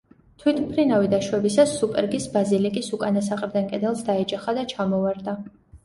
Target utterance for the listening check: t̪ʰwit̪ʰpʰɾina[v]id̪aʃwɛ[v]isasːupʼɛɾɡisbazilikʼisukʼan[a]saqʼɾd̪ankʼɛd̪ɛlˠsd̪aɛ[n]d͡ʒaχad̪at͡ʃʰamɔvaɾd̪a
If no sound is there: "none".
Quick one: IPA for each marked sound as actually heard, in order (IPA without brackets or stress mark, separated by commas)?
v, b, a, none